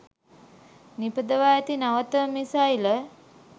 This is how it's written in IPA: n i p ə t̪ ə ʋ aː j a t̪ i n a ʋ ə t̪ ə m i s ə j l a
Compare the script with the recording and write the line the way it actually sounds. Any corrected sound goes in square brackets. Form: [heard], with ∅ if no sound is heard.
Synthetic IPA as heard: n i p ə [d̪] ə ʋ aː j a t̪ i n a ʋ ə t̪ ə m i s [a] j l [ə]